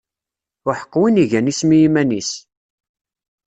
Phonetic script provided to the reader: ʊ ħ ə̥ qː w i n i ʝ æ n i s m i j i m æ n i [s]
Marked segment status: correct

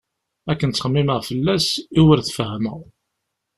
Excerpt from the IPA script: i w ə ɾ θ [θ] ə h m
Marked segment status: incorrect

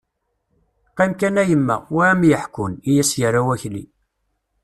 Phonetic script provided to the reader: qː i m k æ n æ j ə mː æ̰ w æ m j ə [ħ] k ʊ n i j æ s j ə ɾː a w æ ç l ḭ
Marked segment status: correct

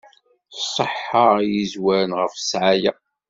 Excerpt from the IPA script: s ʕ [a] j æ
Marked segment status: correct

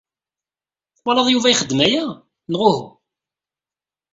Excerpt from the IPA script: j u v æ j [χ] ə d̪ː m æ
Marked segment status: correct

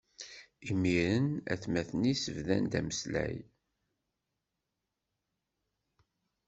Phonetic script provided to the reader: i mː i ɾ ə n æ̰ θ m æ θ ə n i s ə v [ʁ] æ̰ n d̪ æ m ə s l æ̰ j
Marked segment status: incorrect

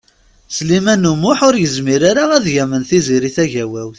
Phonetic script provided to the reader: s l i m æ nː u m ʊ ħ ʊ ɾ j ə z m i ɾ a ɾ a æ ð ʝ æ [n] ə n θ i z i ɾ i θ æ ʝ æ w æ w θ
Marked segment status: incorrect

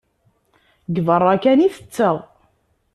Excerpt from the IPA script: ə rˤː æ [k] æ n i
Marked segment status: correct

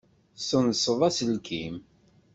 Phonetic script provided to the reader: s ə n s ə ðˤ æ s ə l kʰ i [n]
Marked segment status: incorrect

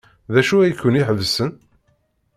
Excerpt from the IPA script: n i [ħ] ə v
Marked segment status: correct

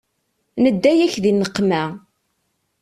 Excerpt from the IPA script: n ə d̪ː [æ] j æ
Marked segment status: correct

